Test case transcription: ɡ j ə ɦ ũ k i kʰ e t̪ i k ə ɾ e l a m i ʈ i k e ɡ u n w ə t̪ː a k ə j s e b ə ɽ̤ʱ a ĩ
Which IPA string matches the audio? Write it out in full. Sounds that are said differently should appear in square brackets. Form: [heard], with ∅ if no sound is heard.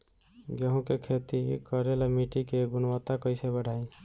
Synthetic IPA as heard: ɡ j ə ɦ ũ k [e] kʰ e t̪ i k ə ɾ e l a m i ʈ i k e ɡ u n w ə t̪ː a k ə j s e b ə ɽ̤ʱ a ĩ